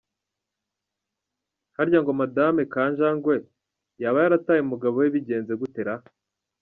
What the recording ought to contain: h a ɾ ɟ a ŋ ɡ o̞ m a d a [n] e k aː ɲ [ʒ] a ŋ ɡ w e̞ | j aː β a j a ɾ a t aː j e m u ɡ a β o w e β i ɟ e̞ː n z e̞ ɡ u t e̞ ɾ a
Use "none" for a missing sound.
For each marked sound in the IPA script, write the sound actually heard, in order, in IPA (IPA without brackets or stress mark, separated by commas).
m, ʒ